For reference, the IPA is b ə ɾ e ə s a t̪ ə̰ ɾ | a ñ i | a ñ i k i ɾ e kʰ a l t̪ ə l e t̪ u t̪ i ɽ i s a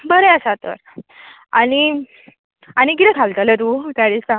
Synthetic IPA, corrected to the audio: b ə ɾ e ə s a t̪ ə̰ ɾ | a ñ i | a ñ i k i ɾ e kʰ a l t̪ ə l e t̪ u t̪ a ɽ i s a